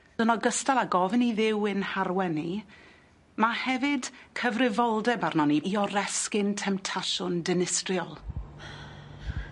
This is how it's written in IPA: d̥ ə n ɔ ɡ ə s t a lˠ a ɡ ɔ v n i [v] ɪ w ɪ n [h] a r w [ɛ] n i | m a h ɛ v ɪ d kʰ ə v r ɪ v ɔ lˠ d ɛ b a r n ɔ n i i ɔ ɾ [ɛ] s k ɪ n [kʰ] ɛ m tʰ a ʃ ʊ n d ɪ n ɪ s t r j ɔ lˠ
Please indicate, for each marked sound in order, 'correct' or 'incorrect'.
incorrect: ð, correct, correct, correct, incorrect: tʰ

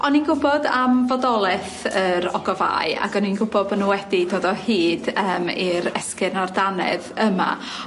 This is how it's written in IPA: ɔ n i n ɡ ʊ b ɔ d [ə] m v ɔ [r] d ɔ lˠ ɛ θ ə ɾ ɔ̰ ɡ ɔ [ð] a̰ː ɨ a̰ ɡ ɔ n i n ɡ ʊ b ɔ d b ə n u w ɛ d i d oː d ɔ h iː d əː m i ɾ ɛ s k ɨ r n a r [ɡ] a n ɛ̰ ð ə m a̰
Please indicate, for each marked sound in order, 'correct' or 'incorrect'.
incorrect: a, incorrect: none, incorrect: v, incorrect: d

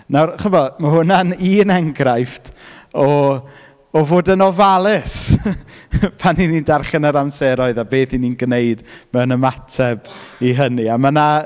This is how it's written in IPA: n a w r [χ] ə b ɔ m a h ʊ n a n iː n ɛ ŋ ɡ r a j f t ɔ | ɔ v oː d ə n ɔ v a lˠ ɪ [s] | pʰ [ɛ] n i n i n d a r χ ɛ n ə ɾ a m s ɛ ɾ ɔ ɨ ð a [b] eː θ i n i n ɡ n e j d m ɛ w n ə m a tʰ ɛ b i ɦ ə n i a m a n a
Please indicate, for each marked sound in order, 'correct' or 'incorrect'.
correct, correct, incorrect: a, correct

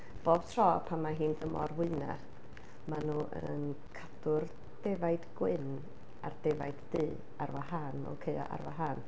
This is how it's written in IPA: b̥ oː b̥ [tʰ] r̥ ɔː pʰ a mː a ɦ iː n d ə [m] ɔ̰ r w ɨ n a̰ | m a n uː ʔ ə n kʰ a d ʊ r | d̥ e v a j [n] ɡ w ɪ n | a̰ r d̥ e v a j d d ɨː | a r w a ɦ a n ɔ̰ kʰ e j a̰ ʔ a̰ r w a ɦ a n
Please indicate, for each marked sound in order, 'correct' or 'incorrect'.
correct, correct, incorrect: d

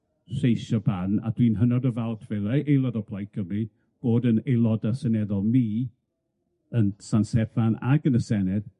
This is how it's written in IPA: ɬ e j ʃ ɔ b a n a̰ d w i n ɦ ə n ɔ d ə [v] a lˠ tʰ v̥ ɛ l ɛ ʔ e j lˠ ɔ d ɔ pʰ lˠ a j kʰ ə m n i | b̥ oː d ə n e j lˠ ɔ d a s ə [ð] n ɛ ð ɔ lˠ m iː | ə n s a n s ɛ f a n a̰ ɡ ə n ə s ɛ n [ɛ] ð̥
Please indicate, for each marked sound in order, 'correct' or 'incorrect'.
correct, incorrect: none, correct

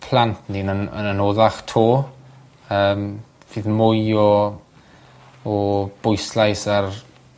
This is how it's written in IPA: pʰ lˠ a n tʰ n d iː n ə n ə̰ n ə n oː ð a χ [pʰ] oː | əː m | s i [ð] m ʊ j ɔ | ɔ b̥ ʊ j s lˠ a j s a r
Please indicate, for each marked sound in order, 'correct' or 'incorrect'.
incorrect: tʰ, correct

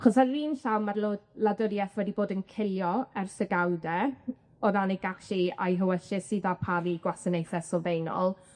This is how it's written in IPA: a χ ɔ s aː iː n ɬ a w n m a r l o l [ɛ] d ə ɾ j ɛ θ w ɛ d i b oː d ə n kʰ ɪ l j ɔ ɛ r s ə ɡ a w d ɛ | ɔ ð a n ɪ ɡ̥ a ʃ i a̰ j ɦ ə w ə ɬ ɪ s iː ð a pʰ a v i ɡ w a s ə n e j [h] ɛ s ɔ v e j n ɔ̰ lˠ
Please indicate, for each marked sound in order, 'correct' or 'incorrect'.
incorrect: a, incorrect: θ

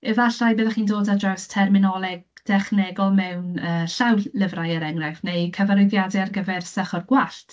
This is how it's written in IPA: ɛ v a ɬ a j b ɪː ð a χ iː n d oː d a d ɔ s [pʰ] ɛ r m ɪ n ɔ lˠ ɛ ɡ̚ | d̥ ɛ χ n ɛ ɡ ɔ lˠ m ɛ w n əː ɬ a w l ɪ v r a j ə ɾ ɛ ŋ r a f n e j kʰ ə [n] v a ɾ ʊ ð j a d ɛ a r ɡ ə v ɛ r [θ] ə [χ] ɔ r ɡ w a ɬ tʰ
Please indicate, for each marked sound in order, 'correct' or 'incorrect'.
incorrect: tʰ, incorrect: none, incorrect: s, correct

